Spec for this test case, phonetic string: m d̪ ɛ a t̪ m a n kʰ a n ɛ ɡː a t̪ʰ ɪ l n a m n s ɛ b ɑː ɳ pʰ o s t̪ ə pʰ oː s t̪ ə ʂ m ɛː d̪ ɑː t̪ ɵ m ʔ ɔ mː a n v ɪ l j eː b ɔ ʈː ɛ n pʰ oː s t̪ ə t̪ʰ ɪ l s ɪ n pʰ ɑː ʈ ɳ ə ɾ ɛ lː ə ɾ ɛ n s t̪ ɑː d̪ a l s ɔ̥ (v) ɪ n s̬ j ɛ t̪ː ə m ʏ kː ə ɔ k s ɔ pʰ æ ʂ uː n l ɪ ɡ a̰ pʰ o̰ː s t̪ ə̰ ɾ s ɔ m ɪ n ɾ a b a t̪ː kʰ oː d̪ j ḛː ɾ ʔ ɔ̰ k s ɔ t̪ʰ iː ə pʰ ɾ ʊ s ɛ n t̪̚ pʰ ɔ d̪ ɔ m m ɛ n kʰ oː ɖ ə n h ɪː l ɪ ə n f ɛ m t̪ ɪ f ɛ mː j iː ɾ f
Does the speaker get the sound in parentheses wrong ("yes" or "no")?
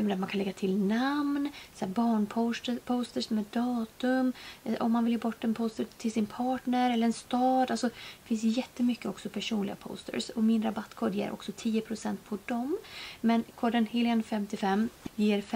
yes